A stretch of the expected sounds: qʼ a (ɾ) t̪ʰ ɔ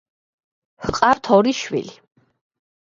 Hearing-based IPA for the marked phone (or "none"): ɾ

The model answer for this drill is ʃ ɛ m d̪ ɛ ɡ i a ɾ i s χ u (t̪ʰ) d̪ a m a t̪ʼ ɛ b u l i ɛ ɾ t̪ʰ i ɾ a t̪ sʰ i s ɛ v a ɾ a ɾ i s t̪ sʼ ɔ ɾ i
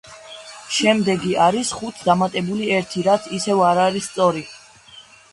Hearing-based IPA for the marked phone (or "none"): t̪ʰ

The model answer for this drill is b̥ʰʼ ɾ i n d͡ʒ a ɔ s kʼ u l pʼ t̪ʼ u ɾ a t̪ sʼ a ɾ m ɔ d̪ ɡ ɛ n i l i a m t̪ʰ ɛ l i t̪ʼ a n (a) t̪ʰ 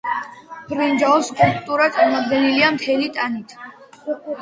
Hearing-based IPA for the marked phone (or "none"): i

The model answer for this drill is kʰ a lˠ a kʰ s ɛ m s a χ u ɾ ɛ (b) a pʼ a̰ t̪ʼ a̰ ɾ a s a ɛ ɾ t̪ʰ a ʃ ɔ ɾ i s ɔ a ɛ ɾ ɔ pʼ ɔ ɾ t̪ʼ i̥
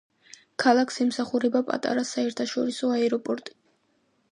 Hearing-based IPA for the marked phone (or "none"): b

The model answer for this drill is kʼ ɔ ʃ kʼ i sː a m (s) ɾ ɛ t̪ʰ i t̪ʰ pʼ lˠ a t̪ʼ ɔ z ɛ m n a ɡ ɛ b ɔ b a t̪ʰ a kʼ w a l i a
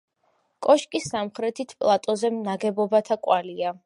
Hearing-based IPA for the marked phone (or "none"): χ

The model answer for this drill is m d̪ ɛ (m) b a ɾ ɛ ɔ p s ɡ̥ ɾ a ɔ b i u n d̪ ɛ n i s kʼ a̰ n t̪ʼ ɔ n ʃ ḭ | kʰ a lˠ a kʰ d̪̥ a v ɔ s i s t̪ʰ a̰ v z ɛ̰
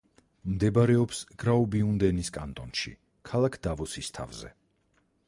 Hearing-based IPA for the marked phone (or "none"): none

